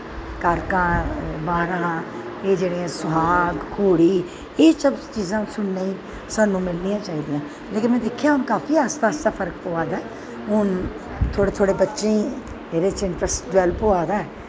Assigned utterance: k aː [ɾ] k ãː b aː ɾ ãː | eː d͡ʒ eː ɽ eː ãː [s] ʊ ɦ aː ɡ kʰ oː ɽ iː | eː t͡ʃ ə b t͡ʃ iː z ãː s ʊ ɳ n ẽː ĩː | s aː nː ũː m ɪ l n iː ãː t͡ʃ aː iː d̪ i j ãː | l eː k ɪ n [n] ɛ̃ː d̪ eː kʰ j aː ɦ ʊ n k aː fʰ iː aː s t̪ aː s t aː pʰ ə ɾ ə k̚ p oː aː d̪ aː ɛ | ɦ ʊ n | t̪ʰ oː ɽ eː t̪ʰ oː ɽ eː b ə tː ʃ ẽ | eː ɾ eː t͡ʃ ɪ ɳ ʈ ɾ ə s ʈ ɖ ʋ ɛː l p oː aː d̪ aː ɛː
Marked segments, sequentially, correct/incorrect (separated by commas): correct, correct, incorrect